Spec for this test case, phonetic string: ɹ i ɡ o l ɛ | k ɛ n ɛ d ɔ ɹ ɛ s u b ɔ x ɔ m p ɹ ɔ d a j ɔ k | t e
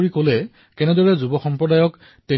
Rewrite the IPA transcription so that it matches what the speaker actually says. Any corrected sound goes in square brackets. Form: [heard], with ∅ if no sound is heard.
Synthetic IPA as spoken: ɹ i [k] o l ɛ | k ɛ n ɛ d ɔ ɹ ɛ [z] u b ɔ x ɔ m p ɹ ɔ d a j ɔ k | t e